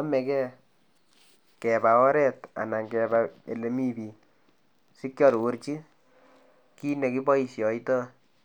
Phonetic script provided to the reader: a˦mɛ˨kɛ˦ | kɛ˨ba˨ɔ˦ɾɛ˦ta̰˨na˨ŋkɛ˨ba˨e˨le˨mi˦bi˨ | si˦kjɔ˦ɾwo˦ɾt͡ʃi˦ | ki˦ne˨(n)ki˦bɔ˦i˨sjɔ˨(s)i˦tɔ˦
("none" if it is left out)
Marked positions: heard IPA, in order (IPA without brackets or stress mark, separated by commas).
none, none